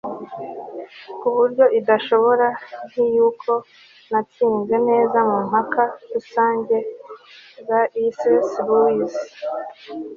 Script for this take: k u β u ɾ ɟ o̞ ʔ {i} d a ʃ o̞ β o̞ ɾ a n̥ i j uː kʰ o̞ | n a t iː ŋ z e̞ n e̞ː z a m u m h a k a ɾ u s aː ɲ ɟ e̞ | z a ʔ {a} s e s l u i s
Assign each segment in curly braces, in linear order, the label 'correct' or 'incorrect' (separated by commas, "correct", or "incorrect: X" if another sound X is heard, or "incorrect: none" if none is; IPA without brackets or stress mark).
correct, incorrect: i